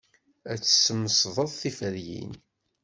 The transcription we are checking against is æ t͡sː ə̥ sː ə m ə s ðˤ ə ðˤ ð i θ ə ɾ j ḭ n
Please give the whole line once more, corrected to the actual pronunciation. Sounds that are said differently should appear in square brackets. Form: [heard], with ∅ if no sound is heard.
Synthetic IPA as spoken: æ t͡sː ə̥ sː ə m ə s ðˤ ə ðˤ [θ] i [f] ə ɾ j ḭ n